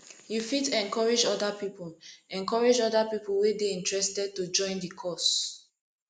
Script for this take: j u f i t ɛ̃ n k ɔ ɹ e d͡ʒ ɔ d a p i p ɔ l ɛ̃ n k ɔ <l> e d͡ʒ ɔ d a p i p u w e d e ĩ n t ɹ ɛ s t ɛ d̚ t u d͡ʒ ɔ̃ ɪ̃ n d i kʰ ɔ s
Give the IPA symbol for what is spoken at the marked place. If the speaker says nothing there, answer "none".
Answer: ɹ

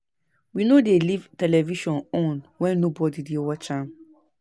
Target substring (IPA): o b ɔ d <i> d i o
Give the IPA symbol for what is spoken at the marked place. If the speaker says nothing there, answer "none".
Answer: i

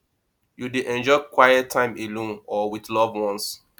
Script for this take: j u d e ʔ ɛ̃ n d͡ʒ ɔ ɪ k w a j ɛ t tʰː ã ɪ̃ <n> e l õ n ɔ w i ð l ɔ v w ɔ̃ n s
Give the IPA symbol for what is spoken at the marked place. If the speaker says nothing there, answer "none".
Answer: m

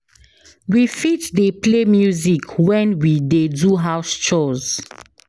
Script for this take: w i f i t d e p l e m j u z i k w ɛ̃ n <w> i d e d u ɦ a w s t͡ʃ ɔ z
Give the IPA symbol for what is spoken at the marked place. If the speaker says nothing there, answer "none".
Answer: w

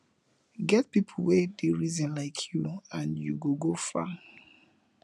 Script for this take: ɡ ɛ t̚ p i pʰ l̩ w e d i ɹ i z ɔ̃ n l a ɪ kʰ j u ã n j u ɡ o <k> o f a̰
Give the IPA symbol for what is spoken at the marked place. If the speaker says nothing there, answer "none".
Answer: ɡ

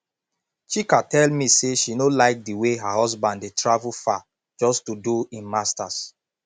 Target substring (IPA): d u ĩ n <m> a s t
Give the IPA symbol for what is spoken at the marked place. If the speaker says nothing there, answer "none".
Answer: m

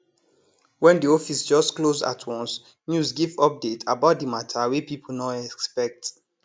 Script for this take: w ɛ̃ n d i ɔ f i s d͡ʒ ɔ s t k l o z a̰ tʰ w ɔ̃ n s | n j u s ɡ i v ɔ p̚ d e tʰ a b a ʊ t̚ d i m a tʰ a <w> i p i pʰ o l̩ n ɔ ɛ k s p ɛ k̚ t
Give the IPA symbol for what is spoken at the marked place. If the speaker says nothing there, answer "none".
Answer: w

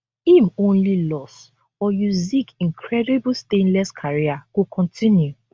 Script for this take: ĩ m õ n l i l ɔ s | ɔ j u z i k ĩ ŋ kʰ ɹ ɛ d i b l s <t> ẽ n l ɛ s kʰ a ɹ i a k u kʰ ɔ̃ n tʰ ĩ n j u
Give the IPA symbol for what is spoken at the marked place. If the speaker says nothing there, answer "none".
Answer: t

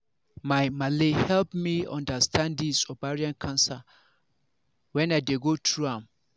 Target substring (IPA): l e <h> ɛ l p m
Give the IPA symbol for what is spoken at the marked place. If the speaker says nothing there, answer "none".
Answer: h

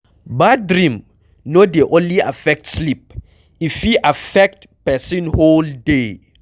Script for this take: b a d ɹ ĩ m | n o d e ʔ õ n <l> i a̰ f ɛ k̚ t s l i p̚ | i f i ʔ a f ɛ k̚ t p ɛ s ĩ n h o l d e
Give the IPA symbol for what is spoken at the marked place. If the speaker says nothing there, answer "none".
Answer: l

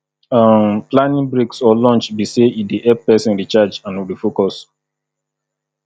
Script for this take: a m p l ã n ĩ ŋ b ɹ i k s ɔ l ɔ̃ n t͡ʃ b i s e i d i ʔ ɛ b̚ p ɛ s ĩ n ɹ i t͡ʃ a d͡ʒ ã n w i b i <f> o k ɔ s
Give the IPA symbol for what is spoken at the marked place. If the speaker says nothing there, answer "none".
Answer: f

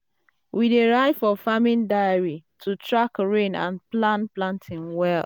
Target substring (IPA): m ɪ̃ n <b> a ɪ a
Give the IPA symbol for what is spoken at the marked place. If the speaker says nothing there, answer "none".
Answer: d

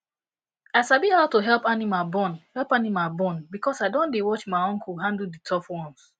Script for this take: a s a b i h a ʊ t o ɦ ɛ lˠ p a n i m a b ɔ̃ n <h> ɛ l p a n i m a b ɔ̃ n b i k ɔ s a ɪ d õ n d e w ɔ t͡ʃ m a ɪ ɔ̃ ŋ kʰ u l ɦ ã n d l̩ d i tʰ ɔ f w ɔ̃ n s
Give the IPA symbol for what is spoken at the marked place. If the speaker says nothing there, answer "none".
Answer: h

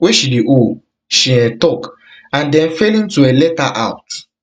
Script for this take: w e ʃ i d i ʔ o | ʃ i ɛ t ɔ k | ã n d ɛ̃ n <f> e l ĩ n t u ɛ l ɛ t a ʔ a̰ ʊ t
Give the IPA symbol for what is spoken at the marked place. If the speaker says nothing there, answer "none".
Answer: f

